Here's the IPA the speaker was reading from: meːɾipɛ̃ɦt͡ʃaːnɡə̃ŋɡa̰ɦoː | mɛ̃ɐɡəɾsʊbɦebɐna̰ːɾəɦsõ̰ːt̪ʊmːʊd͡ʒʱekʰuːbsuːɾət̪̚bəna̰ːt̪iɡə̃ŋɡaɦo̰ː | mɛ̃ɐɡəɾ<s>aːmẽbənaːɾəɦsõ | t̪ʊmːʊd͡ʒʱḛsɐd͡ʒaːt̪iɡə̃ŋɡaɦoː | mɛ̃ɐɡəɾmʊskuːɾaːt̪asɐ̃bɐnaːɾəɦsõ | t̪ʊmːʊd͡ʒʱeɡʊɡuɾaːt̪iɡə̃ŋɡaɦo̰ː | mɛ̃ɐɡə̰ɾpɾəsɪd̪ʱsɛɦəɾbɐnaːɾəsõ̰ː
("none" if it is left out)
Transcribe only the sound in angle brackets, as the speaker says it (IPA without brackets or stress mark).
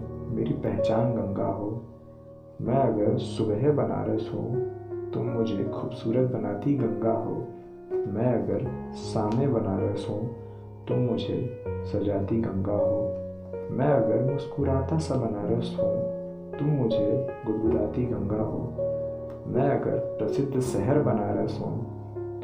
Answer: s